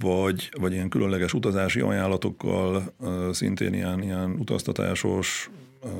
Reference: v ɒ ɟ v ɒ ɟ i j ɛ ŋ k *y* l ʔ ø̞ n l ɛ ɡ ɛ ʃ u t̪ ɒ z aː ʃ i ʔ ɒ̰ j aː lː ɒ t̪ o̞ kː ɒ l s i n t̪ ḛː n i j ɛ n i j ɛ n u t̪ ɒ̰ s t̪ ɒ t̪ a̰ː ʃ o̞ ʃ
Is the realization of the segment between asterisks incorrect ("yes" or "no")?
no